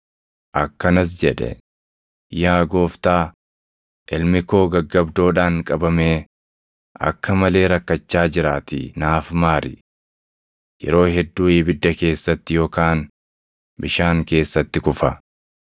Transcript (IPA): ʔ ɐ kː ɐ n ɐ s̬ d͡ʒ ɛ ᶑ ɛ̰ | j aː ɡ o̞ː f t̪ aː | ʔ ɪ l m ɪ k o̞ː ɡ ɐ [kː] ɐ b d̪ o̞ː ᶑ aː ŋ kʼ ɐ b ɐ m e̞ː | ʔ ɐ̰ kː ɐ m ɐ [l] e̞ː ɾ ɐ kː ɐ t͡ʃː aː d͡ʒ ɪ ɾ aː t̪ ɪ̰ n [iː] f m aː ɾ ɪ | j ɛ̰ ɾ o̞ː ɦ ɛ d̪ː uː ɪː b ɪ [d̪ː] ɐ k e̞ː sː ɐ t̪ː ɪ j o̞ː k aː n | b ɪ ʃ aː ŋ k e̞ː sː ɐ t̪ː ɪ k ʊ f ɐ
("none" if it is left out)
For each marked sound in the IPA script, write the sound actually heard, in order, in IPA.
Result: ɡː, l, aː, d̪ː

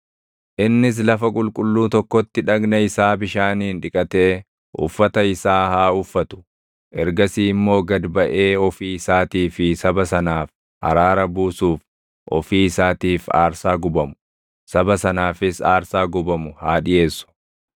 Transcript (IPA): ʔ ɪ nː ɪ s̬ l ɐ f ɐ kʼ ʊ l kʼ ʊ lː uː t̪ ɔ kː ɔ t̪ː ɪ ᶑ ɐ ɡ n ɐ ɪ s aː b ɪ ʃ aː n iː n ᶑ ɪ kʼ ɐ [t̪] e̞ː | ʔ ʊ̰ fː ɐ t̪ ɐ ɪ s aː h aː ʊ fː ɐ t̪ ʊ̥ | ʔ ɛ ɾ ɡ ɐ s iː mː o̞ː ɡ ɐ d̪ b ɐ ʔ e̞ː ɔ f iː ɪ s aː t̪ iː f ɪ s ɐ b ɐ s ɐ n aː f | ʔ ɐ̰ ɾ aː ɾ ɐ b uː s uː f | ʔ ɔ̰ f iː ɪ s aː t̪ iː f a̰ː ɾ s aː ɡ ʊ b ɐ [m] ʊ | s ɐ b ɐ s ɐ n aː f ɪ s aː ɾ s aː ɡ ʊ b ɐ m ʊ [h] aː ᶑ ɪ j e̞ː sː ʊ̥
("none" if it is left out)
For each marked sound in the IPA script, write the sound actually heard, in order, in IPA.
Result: t̪, m, h

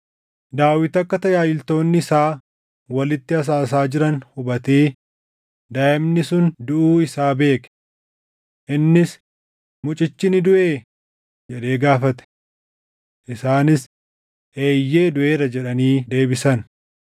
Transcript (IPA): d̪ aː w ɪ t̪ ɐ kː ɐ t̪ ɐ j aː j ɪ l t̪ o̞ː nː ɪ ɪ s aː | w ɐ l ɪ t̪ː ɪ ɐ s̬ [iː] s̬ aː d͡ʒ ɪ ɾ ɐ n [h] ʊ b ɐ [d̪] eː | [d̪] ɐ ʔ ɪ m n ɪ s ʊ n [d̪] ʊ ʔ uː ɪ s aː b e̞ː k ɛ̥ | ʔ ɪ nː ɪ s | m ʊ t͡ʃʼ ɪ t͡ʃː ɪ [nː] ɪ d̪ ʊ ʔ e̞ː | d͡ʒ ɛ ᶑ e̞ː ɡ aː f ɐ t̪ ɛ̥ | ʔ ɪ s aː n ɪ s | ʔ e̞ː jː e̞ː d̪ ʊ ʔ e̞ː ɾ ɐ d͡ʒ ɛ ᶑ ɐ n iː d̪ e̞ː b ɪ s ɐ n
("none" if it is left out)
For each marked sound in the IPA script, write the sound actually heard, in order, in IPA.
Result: aː, h, t̪, d̪, d̪, n

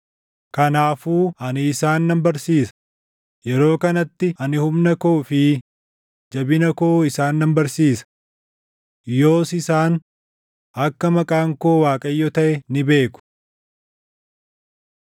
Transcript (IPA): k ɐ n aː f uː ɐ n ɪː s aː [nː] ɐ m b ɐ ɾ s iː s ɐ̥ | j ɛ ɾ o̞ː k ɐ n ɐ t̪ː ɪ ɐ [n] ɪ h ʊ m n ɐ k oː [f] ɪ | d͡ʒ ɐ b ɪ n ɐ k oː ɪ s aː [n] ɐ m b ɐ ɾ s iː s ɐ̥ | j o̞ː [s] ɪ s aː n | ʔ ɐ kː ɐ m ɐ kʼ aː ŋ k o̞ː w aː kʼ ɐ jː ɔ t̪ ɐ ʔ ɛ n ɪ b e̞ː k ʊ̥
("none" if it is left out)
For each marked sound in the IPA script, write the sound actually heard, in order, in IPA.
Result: nː, n, f, nː, s

